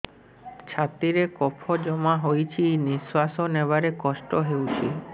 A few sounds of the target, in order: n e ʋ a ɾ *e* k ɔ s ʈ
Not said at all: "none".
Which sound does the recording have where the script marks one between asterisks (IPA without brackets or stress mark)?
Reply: e